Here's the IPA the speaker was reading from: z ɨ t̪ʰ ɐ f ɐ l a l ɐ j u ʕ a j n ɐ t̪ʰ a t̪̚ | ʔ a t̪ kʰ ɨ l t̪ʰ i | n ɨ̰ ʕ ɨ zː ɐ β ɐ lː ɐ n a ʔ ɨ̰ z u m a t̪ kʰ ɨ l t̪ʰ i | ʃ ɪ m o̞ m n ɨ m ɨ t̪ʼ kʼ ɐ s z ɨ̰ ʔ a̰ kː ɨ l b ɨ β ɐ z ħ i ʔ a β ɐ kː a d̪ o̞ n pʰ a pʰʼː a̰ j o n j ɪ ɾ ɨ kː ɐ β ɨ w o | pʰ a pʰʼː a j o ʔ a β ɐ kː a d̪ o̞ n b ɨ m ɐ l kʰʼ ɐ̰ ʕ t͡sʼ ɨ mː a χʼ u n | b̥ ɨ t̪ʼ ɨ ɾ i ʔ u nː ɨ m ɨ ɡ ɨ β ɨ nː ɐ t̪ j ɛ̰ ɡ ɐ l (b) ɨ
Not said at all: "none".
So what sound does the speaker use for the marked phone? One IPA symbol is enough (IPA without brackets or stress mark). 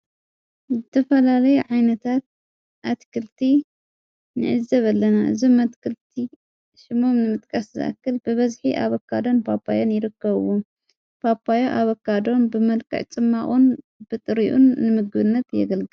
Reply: ɡ